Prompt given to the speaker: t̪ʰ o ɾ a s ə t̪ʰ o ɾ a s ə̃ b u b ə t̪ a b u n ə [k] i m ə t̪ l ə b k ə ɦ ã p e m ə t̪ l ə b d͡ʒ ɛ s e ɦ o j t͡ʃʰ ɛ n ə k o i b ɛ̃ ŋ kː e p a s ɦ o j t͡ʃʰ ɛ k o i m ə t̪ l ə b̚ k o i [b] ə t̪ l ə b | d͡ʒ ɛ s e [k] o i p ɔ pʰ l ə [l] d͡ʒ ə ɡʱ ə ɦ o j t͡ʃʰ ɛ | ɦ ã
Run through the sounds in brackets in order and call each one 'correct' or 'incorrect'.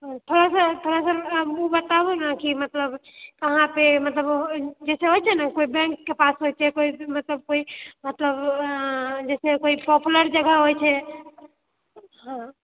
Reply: correct, incorrect: m, correct, incorrect: ɾ

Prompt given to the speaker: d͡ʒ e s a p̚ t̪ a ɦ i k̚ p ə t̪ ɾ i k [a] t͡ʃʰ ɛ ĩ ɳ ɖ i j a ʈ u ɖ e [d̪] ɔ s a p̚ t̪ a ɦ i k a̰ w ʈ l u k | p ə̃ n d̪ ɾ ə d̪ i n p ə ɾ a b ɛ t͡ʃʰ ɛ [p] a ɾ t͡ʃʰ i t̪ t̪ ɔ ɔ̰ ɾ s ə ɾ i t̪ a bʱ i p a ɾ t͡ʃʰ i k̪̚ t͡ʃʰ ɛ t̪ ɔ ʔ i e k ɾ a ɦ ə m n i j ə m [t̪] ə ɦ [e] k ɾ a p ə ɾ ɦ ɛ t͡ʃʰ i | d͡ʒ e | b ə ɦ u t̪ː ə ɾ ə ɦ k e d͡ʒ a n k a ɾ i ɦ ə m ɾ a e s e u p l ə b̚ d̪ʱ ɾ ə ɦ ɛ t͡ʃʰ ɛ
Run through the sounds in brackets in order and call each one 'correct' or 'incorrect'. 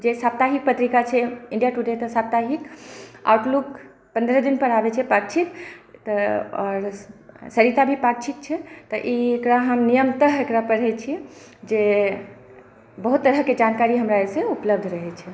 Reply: correct, incorrect: t̪, correct, correct, correct

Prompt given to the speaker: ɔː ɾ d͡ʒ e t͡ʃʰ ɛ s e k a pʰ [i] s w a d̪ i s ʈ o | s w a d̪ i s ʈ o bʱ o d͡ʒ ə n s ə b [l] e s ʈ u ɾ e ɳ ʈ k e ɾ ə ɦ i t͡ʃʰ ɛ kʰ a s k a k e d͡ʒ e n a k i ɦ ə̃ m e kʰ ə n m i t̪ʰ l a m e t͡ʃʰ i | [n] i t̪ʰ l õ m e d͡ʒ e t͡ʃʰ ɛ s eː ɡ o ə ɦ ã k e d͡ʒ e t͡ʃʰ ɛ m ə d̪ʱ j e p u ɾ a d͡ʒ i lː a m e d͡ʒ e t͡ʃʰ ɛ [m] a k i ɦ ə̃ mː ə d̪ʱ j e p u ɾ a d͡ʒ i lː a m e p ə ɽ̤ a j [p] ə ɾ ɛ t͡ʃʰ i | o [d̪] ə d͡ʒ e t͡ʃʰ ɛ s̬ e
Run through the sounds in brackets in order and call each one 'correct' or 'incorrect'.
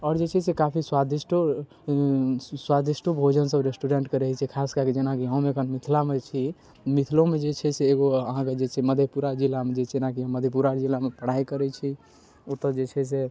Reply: correct, incorrect: ɾ, incorrect: m, incorrect: n, incorrect: k, incorrect: t̪

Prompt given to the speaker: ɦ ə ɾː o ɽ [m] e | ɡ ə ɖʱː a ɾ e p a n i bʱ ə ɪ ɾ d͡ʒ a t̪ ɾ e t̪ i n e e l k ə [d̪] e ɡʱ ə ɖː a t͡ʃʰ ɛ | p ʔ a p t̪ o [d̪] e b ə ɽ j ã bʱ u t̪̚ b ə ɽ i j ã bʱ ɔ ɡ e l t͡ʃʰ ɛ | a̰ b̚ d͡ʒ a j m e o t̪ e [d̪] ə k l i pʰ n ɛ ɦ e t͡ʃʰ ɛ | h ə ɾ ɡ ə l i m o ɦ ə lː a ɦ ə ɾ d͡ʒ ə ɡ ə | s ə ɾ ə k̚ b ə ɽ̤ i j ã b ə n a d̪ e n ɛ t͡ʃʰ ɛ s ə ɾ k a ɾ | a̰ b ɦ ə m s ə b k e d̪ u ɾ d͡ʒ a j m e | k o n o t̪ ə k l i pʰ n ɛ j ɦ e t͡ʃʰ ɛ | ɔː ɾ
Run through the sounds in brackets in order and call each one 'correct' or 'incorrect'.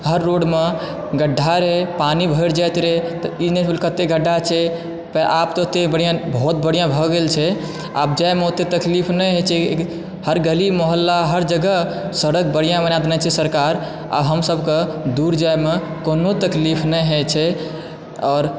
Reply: correct, incorrect: t̪, incorrect: t̪, incorrect: t̪

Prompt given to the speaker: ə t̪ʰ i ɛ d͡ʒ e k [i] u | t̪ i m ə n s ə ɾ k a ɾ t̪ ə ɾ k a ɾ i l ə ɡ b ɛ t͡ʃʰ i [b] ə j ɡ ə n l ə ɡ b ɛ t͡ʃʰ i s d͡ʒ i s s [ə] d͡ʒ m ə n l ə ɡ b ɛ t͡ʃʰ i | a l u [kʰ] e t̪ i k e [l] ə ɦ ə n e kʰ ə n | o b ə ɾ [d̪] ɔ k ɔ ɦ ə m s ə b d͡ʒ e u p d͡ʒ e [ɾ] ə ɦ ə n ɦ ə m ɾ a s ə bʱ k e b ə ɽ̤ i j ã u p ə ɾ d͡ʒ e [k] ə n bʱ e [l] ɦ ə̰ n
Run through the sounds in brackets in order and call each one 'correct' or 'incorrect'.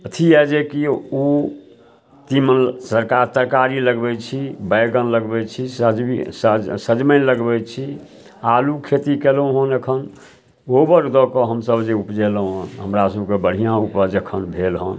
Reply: correct, correct, correct, correct, correct, correct, incorrect: l, incorrect: kʰ, correct

